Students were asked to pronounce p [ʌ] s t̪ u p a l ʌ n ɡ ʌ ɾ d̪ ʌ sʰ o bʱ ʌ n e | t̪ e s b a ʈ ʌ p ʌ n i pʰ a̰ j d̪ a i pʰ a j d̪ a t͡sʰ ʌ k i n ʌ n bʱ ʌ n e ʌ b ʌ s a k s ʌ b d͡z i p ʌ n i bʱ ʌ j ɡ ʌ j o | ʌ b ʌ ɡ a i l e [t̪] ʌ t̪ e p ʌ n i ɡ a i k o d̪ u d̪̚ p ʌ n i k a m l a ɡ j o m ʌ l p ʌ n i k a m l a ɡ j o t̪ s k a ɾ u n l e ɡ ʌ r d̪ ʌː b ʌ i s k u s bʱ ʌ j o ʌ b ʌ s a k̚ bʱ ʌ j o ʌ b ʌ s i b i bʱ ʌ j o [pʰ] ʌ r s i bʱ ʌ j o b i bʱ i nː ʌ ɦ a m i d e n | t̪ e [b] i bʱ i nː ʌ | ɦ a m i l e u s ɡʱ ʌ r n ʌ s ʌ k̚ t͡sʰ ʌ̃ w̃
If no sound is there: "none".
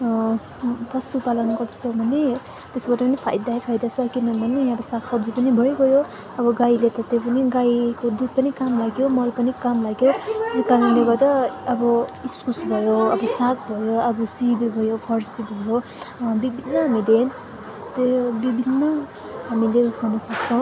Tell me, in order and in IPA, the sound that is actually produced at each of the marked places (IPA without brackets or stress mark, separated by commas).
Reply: ʌ, t̪, pʰ, b